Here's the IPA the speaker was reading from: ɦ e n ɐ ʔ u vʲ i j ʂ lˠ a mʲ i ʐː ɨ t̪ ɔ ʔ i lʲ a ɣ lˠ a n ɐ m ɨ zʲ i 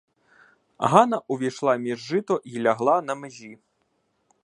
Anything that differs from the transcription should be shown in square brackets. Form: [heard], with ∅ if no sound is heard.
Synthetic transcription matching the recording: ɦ [a] n ɐ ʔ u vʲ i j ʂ lˠ a mʲ i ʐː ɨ t̪ ɔ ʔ i lʲ a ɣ lˠ a n ɐ m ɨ zʲ i